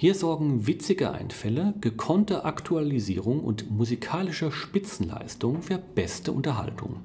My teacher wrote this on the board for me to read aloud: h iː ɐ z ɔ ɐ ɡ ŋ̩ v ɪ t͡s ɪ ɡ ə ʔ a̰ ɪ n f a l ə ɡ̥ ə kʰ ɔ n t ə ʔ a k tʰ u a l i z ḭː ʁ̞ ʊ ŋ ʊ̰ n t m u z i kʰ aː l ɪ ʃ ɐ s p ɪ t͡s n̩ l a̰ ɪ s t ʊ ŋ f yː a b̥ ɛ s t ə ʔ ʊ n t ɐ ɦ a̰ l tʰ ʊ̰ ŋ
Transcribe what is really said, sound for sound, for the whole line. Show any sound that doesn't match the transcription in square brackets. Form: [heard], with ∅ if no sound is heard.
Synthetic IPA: h iː ɐ z ɔ ɐ ɡ ŋ̩ v ɪ t͡s ɪ ɡ ə ʔ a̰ ɪ n f [ɛ] l ə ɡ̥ ə kʰ ɔ n t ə ʔ a k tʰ u a l i z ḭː ʁ̞ ʊ ŋ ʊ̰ n t m u z i kʰ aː l ɪ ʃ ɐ [ʃ] p ɪ t͡s n̩ l a̰ ɪ s t ʊ ŋ f yː [ɐ] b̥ ɛ s t ə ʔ ʊ n t ɐ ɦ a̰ l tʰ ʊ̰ ŋ

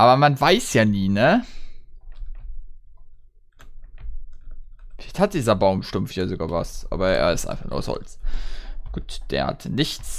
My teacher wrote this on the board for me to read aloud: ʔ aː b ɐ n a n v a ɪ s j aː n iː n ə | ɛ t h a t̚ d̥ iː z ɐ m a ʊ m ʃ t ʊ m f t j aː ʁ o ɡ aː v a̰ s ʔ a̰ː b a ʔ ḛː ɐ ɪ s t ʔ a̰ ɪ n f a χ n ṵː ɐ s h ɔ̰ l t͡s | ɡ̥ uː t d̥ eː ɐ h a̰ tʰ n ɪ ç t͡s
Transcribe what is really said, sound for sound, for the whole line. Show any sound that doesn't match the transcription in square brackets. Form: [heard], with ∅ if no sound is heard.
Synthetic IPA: ʔ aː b ɐ [m] a n v a ɪ s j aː n iː n ə | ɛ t h a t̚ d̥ iː z ɐ [b] a ʊ m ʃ t ʊ m f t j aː [z] o ɡ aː v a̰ s ʔ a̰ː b [ɐ] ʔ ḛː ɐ ɪ s t ʔ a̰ ɪ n f a χ n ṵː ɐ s h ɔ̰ l t͡s | ɡ̥ uː t d̥ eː ɐ h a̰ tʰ n ɪ ç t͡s

